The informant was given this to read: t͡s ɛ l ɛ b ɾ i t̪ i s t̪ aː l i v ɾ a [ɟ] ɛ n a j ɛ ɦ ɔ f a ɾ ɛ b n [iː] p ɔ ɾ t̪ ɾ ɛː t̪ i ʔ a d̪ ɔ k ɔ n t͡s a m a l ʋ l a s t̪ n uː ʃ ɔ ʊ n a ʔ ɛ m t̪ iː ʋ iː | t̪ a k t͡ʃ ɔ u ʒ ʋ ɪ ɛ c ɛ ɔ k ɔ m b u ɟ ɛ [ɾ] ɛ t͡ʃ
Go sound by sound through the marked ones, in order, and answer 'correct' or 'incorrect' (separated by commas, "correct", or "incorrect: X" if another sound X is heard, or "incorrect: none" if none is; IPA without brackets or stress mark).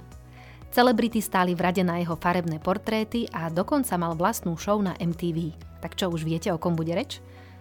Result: correct, incorrect: ɛː, correct